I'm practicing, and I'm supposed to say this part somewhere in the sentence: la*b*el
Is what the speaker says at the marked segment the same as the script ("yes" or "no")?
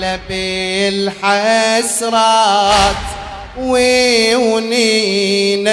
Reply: yes